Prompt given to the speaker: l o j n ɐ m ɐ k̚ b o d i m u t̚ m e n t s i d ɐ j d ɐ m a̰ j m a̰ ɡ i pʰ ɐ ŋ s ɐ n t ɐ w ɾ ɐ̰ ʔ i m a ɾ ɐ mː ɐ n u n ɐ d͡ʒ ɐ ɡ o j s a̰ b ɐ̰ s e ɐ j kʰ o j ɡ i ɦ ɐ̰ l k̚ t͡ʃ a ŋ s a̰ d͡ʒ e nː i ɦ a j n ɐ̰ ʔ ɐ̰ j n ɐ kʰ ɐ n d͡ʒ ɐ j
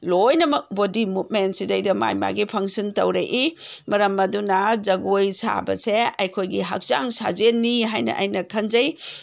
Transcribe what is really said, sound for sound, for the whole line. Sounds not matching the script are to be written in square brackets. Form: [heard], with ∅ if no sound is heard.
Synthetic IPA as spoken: l o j n ɐ m ɐ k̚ b o d i m u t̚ m e n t s i d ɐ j d ɐ m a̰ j m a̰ ɡ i pʰ ɐ ŋ s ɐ n t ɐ w ɾ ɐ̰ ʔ i m [ɐ] ɾ ɐ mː ɐ [d] u n ɐ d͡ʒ ɐ ɡ o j s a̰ b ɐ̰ s e ɐ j kʰ o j ɡ i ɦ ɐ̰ [∅] k̚ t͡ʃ a ŋ s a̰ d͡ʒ e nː i ɦ a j n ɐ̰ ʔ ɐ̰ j n ɐ kʰ ɐ n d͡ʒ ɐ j